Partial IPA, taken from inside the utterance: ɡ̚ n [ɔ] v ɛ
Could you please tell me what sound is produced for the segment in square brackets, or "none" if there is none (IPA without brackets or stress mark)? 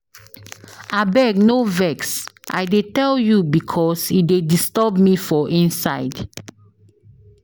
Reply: o